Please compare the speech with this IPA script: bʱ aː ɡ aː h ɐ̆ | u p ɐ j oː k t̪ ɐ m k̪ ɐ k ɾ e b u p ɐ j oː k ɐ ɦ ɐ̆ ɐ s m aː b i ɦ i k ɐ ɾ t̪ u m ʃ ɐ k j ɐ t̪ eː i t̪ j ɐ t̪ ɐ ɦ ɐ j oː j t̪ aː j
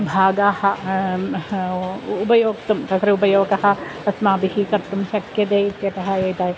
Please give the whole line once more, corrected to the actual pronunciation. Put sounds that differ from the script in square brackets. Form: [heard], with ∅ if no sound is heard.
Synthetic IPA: bʱ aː ɡ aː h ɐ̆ | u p ɐ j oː k t̪ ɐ m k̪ ɐ k ɾ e [∅] u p ɐ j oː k ɐ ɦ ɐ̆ ɐ s m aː b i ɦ i k ɐ ɾ t̪ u m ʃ ɐ k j ɐ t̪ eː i t̪ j ɐ t̪ ɐ ɦ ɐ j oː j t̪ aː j

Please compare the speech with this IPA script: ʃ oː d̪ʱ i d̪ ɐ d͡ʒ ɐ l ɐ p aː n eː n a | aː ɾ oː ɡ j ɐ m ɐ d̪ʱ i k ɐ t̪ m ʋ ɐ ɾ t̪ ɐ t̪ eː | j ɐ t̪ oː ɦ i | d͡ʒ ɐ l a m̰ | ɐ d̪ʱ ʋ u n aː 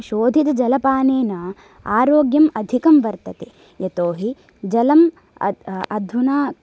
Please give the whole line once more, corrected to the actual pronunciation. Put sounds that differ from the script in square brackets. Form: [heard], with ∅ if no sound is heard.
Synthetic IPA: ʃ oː d̪ʱ i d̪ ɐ d͡ʒ ɐ l ɐ p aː n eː n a | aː ɾ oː ɡ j ɐ m ɐ d̪ʱ i k ɐ [∅] m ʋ ɐ ɾ t̪ ɐ t̪ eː | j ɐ t̪ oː ɦ i | d͡ʒ ɐ l [ɐ] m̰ | ɐ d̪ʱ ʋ u n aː

